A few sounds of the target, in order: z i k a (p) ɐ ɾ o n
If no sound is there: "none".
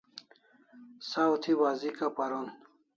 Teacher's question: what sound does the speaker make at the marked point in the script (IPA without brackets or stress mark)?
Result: p